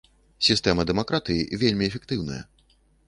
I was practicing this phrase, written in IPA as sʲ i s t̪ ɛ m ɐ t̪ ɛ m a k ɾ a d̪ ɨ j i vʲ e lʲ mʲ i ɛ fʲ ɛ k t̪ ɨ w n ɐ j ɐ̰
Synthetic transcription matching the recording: sʲ i s t̪ ɛ m ɐ d̪ ɛ m a k ɾ a t̪ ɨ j i vʲ e lʲ mʲ i ɛ fʲ ɛ k t̪ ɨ w n ɐ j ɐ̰